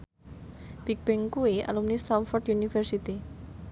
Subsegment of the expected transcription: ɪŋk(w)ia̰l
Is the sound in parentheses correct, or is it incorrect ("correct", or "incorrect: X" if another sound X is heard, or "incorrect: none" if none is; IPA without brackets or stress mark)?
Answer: incorrect: u